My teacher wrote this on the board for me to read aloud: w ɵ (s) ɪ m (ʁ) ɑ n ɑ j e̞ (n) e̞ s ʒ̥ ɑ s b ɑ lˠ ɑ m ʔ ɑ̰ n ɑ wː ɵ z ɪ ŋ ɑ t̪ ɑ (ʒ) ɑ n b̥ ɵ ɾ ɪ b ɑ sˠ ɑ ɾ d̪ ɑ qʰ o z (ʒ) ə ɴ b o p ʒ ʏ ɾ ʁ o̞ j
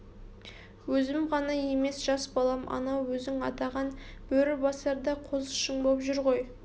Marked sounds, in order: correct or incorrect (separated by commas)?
incorrect, correct, incorrect, incorrect, incorrect